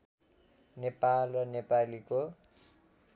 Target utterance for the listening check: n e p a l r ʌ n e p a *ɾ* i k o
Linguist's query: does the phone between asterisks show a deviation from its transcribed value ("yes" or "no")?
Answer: yes